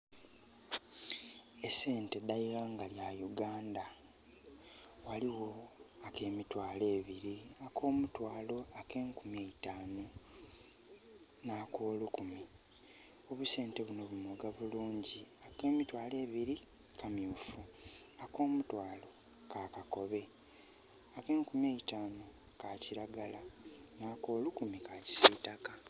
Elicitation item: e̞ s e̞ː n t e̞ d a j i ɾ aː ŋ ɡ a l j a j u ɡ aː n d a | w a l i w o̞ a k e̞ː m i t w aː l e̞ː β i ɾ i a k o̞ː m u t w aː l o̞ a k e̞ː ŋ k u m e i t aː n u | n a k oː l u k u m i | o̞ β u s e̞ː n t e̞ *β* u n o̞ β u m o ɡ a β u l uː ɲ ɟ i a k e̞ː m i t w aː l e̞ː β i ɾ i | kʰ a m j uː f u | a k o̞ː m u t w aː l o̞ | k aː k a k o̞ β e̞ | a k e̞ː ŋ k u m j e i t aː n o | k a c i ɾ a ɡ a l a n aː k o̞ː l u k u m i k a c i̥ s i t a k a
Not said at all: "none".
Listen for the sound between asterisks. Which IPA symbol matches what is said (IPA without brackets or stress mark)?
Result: β